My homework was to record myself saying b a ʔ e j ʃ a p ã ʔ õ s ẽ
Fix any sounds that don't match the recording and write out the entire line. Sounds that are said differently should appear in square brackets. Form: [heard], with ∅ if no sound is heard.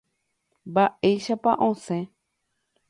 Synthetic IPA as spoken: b a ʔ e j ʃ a p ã ʔ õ s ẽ

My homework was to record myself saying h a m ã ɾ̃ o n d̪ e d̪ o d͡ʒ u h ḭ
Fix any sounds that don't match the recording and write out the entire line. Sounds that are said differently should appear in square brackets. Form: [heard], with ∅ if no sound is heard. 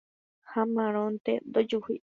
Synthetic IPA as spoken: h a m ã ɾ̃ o n [t̪] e d̪ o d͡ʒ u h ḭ

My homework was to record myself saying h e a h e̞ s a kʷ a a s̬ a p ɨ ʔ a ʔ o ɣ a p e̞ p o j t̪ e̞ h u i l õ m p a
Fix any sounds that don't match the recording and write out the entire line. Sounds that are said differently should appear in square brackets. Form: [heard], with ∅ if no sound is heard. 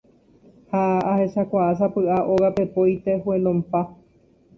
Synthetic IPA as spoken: h [a] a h e̞ [ʃ] a kʷ a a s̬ a p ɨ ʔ a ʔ o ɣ a p e̞ p o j t̪ e̞ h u [e] l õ m p a

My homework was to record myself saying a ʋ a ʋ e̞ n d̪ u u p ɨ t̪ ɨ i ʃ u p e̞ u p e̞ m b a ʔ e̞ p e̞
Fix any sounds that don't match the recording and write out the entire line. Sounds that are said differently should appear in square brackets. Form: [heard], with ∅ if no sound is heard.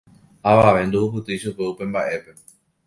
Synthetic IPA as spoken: a ʋ a ʋ e̞ n d̪ u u p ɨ t̪ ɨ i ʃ u p e̞ u p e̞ m b a ʔ e̞ p e̞

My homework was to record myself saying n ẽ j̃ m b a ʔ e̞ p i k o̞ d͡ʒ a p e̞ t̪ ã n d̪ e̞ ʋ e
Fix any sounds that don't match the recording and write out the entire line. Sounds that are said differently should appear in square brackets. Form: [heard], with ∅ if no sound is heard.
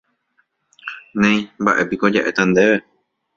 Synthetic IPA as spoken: n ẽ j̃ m b a ʔ e̞ p i k o̞ d͡ʒ a [ʔ] e̞ t̪ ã n d̪ e̞ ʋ e

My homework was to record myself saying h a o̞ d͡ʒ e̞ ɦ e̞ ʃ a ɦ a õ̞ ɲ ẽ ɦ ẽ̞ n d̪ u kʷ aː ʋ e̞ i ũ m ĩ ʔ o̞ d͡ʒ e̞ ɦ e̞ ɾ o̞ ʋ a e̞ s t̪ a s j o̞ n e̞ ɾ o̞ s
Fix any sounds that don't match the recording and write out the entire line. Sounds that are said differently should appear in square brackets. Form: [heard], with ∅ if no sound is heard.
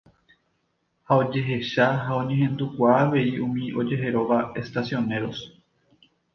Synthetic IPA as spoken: h a o̞ d͡ʒ e̞ ɦ e̞ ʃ a ɦ a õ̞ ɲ ẽ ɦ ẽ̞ n d̪ u kʷ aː ʋ e̞ i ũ m ĩ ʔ o̞ d͡ʒ e̞ ɦ e̞ ɾ o̞ ʋ a e̞ s t̪ a s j o̞ n e̞ ɾ o̞ s

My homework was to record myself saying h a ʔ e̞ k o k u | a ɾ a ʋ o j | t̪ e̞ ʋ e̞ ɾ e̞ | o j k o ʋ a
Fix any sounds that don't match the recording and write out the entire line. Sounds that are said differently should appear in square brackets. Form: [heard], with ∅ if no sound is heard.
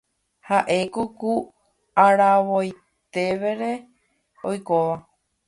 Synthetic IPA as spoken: h a ʔ e̞ k o k u | a ɾ a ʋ o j | t̪ e̞ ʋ e̞ ɾ e̞ | o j k o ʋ a

